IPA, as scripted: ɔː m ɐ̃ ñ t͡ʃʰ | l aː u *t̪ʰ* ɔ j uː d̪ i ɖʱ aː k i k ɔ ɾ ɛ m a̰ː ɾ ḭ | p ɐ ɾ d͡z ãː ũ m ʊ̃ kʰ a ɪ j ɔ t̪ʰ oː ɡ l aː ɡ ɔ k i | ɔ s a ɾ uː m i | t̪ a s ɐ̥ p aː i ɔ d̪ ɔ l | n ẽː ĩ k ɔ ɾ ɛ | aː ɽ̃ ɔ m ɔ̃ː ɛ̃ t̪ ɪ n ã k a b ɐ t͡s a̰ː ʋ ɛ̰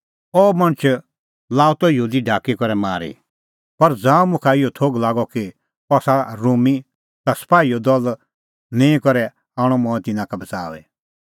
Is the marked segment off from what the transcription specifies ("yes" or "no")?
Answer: yes